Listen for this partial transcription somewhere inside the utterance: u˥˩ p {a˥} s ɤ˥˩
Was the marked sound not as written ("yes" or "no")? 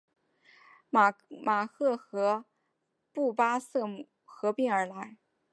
no